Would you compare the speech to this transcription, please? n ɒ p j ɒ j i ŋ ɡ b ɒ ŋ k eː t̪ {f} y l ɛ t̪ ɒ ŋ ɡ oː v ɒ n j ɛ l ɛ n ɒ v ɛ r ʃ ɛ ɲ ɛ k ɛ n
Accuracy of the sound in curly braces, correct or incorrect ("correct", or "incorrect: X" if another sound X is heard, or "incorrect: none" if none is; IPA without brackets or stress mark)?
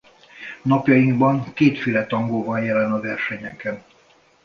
correct